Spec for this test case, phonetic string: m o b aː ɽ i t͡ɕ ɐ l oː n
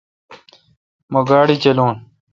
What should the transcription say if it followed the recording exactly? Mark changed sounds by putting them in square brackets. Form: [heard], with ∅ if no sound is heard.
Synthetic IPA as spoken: m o [ɡ] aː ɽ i t͡ɕ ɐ l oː n